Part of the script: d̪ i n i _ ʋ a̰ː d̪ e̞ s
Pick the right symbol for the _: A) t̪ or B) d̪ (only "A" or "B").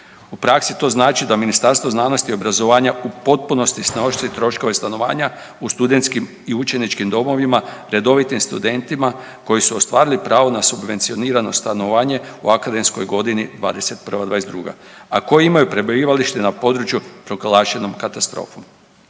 B